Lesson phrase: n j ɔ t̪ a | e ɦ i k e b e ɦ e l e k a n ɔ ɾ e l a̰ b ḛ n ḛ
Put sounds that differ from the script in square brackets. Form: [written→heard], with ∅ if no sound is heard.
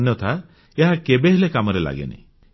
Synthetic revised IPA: n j ɔ [t̪→t̪ʰ] a | e ɦ [i→a] k e b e ɦ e l e k a [n→m] ɔ ɾ e l a̰ [b→ɡ] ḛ n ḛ